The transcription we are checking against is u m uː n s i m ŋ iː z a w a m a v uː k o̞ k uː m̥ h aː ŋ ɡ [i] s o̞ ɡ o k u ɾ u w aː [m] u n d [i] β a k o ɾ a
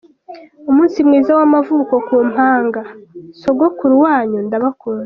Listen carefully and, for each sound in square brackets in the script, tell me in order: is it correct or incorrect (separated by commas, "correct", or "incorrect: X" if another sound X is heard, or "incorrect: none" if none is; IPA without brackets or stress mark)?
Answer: incorrect: a, incorrect: ɲ, incorrect: a